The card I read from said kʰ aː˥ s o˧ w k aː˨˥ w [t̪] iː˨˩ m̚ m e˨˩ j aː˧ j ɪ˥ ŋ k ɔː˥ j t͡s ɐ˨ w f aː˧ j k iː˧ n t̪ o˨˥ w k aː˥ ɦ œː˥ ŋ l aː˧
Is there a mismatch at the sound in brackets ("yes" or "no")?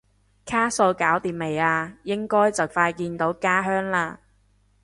no